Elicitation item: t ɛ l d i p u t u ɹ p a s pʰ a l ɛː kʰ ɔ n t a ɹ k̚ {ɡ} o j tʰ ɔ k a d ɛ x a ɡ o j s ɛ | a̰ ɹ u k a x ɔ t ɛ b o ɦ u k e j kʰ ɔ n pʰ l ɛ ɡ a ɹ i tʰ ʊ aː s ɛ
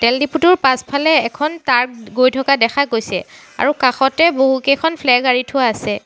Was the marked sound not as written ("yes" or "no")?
no